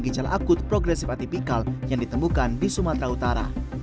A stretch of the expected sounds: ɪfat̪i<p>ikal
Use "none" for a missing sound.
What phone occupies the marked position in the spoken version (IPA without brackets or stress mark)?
p